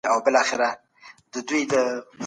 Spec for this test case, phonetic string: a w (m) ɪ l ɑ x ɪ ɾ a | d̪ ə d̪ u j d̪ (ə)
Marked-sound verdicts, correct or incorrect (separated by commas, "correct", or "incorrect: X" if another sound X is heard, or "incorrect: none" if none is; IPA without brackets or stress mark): incorrect: b, correct